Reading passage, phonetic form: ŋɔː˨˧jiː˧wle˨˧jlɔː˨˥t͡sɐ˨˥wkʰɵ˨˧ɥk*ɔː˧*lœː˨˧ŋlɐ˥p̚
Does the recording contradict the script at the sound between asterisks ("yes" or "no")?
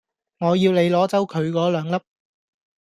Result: yes